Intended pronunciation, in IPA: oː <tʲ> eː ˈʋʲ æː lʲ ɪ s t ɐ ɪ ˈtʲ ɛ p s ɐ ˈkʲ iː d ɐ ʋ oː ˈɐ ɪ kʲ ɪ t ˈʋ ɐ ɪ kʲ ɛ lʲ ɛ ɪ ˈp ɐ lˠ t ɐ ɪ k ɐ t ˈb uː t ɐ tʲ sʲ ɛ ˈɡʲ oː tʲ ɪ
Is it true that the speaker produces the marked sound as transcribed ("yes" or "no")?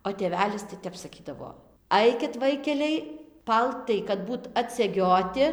yes